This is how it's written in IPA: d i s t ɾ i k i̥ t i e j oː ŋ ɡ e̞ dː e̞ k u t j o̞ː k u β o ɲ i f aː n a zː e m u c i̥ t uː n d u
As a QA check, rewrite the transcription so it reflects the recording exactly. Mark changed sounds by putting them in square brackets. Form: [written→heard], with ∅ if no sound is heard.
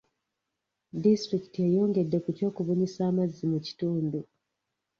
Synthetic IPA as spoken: d i s t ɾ i k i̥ t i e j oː ŋ ɡ e̞ dː e̞ k u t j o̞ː k u β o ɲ i [f→s] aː [n→m] a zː [e→i] m u c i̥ t uː n d u